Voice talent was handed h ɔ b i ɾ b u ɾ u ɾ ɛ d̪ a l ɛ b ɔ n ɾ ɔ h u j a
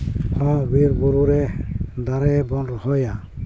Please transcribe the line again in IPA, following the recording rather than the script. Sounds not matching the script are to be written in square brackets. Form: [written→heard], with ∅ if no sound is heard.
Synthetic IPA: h ɔ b i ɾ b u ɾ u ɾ ɛ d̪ a [l→ɾ] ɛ b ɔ n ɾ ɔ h [u→ɔ] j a